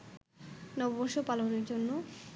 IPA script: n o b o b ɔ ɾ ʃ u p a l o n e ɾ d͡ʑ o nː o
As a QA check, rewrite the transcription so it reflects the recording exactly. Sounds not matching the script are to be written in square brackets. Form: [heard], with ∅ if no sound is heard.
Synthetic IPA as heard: n [ɔ] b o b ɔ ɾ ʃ [o] p a l o n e ɾ d͡ʑ o nː o